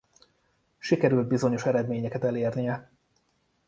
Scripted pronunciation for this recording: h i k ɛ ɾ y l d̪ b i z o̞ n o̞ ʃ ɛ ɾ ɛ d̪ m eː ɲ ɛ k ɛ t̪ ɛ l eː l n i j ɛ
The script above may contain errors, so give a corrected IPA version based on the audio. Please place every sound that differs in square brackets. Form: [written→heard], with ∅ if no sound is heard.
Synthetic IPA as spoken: [h→ʃ] i k ɛ ɾ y l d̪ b i z o̞ [n→ɲ] o̞ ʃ ɛ ɾ ɛ d̪ m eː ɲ ɛ k ɛ t̪ ɛ l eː [l→r] n i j ɛ